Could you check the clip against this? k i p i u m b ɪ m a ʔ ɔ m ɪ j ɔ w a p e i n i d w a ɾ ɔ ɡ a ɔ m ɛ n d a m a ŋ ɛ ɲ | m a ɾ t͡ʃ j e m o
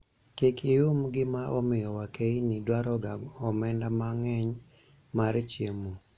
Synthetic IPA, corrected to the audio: k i k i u m ɡ ɪ m a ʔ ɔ m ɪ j ɔ w a k e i n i d w a ɾ ɔ ɡ a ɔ m ɛ n d a m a ŋ ɛ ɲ | m a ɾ t͡ʃ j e m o

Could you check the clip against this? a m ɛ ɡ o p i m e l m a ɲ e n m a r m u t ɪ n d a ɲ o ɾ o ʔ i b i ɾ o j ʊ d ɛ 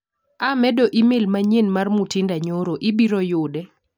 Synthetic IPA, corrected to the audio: a m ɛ d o ʔ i m e l m a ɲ e n m a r m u t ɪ n d a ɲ o ɾ o ʔ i b i ɾ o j ʊ d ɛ

